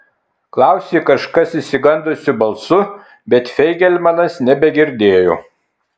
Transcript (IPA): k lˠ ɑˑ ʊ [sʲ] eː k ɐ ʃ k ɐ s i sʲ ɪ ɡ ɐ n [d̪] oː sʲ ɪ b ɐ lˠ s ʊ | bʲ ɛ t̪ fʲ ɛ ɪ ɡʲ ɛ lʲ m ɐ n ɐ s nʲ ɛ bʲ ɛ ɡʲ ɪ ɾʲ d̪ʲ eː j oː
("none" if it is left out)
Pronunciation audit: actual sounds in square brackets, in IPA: sʲ, d̪

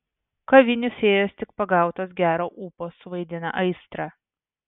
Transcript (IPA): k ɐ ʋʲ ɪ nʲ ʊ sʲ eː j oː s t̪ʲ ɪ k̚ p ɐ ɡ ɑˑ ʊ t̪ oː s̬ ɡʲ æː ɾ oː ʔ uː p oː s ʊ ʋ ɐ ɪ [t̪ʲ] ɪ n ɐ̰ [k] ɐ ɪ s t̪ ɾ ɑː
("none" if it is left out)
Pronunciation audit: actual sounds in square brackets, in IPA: d̪ʲ, ʔ

